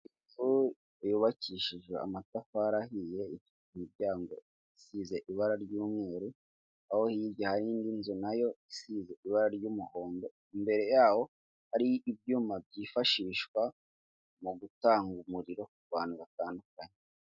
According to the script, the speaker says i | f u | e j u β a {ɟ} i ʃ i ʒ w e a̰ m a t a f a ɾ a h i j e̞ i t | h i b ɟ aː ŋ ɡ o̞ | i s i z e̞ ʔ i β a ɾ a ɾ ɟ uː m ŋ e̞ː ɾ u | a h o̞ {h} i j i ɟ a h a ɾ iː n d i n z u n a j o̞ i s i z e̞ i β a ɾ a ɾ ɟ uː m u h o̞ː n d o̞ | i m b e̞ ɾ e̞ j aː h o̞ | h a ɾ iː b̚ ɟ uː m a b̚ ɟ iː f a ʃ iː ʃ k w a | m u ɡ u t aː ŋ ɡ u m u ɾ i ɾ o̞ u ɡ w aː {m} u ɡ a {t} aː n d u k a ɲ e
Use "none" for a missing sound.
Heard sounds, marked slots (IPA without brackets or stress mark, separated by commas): c, h, n, t